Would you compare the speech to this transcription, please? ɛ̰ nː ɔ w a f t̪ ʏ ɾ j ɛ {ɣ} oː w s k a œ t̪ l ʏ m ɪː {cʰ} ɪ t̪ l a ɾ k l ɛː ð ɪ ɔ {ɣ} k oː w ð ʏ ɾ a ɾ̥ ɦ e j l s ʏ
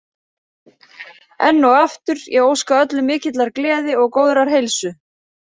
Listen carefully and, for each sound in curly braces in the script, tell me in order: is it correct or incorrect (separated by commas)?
correct, incorrect, correct